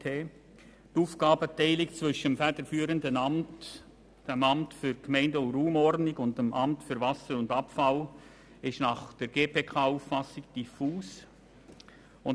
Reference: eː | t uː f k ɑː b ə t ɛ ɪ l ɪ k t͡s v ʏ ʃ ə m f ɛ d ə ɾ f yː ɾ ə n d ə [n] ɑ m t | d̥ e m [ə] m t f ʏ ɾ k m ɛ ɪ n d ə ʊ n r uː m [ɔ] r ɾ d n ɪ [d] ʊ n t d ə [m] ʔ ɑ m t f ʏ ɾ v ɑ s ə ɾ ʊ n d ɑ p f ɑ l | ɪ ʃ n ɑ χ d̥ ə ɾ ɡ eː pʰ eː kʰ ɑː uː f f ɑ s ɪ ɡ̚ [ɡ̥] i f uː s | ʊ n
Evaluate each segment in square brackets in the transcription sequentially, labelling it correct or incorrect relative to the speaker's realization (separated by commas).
correct, incorrect, correct, incorrect, correct, incorrect